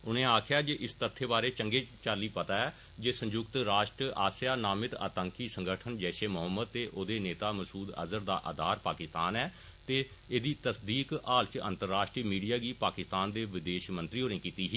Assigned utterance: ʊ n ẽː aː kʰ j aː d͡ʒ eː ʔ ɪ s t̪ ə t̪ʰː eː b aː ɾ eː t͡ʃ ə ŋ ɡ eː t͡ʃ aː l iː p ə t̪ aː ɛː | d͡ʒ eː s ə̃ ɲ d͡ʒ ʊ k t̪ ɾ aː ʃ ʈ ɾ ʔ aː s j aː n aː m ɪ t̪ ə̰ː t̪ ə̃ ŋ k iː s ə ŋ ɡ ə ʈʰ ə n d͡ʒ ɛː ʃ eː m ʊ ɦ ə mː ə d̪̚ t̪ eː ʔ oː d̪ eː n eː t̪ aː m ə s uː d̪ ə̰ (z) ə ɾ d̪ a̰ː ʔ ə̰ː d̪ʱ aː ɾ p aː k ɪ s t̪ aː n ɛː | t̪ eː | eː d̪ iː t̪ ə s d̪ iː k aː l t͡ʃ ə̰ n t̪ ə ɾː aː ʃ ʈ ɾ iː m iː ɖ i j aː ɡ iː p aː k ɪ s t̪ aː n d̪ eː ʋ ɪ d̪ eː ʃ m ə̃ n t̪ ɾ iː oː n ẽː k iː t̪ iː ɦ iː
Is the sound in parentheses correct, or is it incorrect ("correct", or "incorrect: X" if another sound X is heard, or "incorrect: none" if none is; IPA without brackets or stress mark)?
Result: correct